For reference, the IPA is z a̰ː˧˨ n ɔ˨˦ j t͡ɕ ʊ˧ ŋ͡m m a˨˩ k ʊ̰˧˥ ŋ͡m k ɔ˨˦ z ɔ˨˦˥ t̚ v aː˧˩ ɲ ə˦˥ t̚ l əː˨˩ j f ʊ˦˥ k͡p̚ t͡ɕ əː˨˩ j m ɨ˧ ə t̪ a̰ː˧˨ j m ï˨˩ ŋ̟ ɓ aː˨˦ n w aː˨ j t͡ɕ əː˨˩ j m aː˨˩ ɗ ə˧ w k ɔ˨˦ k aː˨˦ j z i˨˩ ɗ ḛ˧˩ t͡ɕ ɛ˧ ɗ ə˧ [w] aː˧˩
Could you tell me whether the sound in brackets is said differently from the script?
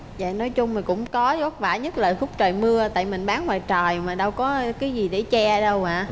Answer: no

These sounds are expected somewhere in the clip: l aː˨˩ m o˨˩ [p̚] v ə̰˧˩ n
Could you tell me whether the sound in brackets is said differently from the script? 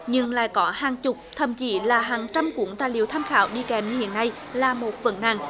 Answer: yes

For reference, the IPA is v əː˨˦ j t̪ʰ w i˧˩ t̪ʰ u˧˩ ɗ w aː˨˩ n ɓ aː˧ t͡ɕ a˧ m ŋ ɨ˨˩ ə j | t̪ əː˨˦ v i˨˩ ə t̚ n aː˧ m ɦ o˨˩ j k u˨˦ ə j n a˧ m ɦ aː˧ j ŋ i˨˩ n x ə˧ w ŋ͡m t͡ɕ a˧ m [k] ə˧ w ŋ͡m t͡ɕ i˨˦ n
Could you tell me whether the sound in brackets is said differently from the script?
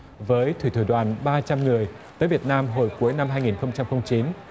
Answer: yes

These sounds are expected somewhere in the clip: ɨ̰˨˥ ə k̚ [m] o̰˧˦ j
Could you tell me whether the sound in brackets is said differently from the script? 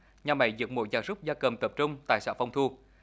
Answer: no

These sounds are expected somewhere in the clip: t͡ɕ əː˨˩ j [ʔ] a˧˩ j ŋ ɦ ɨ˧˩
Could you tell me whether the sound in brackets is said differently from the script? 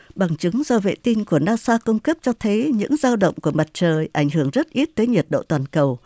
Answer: no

